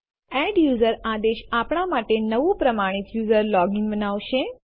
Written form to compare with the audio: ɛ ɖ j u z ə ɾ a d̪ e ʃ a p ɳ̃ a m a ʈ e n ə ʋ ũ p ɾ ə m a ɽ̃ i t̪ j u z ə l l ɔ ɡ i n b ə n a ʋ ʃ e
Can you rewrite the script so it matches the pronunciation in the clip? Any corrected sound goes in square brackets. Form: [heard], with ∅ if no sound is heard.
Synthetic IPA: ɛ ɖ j u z ə ɾ a d̪ e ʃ a p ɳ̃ a m a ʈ e n ə ʋ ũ p ɾ ə m a ɽ̃ i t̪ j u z ə [ɾ] l ɔ ɡ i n b ə n a ʋ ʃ e